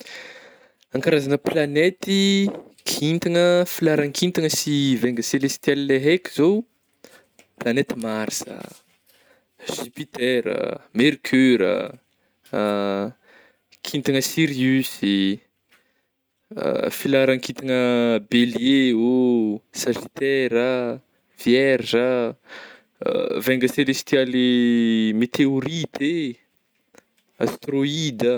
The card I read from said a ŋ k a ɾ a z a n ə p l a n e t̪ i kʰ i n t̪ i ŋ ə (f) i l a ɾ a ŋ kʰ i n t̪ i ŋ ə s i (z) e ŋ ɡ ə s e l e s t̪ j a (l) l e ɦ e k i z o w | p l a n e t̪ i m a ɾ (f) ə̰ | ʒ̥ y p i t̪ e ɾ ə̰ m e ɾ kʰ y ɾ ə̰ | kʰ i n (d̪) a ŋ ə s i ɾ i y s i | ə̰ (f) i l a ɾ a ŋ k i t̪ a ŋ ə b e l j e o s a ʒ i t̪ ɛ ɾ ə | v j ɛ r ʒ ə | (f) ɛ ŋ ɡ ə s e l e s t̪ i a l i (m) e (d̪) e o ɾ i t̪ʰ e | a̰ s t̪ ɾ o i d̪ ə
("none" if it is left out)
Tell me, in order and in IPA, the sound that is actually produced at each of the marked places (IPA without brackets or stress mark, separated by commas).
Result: f, v, l, s, t̪, f, v, m, t̪